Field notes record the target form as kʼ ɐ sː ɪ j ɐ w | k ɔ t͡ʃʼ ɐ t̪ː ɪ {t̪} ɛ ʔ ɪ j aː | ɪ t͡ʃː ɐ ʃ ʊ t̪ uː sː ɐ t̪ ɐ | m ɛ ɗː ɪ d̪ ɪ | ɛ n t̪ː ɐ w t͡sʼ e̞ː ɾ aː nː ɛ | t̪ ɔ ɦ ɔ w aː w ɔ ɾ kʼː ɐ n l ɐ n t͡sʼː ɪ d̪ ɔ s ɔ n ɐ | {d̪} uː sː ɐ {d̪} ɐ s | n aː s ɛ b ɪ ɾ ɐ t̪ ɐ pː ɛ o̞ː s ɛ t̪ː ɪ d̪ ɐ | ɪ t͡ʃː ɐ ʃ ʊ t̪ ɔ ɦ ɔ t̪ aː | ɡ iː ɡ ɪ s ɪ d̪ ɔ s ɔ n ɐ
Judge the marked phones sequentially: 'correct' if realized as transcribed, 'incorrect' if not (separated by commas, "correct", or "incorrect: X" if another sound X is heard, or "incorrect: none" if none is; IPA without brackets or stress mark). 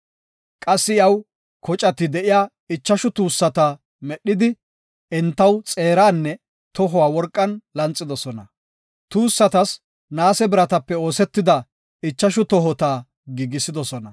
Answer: incorrect: d̪, incorrect: t̪, incorrect: t̪